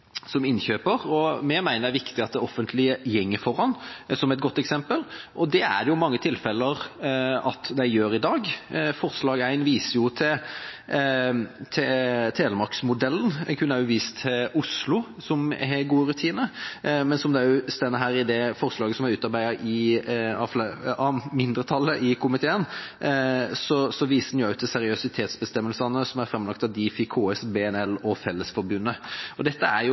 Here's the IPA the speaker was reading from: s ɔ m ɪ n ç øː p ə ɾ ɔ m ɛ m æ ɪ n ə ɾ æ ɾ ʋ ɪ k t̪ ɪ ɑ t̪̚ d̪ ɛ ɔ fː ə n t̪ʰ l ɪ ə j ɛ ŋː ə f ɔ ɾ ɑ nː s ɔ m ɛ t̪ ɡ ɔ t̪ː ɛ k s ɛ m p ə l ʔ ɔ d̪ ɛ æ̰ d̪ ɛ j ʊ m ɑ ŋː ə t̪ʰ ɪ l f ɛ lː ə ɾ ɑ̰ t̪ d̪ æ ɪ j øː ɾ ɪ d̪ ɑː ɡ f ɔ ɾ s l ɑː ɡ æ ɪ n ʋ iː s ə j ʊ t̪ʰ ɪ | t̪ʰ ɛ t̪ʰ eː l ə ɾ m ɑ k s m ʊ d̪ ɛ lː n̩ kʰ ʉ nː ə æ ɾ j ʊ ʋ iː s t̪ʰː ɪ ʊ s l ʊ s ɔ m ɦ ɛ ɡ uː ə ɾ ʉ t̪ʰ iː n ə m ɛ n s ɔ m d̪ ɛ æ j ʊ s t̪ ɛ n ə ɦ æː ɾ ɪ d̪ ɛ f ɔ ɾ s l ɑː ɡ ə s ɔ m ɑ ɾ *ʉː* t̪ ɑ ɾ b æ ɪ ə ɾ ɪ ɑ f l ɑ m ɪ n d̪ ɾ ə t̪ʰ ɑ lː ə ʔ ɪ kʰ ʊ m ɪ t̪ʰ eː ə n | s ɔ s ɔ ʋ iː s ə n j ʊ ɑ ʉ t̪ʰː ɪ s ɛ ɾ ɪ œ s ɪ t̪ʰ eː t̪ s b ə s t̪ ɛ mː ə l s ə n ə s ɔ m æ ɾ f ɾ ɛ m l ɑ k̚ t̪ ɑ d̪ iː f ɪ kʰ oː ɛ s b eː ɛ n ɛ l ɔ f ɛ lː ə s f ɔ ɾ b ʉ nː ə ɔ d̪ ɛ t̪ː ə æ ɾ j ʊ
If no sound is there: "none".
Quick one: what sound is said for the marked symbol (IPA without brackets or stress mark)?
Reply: ʉː